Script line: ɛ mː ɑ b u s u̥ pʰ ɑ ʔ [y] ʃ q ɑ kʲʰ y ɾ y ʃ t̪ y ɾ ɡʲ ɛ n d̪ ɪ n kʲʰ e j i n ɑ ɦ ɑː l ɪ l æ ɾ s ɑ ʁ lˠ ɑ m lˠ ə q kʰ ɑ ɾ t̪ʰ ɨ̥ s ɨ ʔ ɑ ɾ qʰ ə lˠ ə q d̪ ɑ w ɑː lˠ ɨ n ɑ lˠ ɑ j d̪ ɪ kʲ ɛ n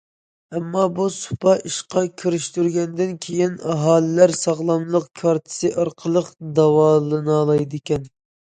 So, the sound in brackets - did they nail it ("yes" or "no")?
no